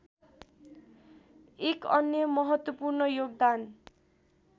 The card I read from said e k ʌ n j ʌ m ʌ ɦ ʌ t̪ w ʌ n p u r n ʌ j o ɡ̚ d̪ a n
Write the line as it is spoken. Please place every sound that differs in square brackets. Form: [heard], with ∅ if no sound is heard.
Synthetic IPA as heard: e k ʌ n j ʌ m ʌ ɦ ʌ t̪ w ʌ [∅] p u r n ʌ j o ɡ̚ d̪ a n